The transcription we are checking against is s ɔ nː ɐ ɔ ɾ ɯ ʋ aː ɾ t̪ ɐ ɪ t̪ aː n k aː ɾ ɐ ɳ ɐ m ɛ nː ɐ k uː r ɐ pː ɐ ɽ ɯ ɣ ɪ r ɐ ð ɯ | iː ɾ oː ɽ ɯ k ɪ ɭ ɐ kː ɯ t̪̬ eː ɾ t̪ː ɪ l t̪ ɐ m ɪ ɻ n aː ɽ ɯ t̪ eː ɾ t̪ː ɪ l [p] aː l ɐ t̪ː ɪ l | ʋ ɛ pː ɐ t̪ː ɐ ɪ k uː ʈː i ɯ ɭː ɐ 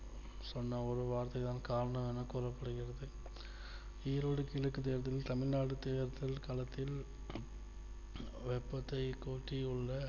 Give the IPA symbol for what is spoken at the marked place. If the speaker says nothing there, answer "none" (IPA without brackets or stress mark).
k